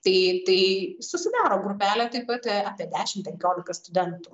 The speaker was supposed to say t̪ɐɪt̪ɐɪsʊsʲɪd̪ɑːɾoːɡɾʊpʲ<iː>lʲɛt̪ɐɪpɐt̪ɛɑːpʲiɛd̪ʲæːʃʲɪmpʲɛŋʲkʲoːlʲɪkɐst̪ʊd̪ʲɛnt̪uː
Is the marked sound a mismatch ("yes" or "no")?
yes